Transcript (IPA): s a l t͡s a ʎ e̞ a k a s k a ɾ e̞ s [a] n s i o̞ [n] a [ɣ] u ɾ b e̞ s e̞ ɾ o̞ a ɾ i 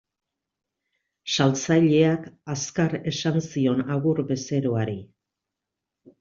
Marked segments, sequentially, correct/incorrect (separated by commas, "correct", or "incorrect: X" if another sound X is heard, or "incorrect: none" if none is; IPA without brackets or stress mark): correct, correct, correct